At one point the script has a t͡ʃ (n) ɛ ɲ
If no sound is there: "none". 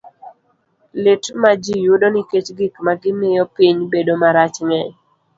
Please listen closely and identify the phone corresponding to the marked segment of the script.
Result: ŋ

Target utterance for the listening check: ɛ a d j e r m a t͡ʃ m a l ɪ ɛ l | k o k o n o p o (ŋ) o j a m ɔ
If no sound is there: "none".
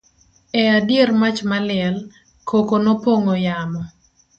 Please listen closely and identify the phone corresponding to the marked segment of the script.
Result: ŋ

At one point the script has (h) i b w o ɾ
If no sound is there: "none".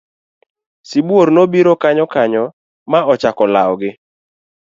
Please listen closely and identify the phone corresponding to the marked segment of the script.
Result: s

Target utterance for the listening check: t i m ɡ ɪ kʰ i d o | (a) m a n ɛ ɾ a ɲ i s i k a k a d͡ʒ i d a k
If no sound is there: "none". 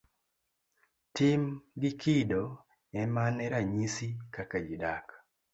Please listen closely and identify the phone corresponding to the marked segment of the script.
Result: ɛ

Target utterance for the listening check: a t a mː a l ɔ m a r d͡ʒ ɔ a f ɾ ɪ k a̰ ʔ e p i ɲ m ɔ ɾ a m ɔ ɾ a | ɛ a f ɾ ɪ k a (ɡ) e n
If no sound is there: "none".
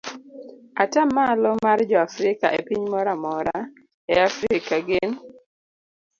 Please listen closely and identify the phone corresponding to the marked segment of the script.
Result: ɡ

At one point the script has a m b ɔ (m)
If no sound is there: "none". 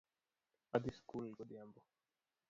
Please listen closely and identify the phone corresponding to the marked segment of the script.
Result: none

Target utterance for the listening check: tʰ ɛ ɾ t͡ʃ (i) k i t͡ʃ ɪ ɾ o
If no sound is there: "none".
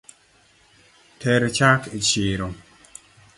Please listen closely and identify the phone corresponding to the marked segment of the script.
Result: a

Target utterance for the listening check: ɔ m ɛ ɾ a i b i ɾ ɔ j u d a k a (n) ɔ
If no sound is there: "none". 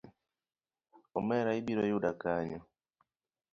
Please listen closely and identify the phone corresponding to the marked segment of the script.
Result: ɲ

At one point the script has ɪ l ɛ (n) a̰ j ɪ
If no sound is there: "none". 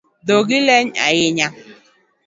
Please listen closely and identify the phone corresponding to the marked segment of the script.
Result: ɲ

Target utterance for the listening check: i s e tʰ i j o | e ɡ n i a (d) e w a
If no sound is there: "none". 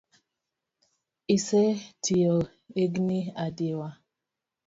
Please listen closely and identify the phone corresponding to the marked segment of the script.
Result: d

